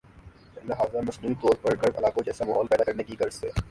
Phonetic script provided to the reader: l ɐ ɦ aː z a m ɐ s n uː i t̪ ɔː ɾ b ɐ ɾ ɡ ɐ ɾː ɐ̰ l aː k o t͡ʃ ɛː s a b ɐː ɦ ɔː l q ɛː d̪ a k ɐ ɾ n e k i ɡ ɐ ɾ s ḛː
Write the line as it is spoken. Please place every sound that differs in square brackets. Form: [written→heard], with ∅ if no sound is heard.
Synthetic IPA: l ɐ ɦ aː z a m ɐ s n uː i t̪ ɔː ɾ [b→p] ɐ ɾ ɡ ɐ [ɾː→ɾ] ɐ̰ l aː k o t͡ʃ ɛː s a [b→m] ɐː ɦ ɔː l [q→p] ɛː d̪ a k ɐ ɾ n e k i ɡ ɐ ɾ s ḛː